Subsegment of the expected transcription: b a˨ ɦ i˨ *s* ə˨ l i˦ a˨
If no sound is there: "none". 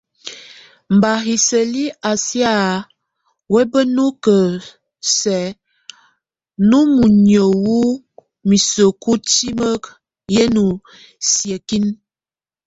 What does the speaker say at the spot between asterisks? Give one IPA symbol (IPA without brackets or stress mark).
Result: s